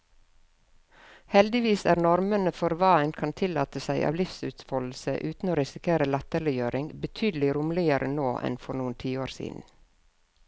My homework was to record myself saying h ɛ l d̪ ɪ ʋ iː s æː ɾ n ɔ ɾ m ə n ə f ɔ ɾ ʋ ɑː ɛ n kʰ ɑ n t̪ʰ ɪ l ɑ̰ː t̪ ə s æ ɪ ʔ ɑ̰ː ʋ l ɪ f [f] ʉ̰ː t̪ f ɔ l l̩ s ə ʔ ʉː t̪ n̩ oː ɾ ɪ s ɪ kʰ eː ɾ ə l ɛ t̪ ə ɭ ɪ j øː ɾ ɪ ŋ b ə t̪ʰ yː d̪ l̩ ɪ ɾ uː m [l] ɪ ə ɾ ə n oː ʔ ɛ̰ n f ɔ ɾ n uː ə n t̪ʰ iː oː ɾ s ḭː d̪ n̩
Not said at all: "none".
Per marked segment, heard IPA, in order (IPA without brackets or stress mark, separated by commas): s, l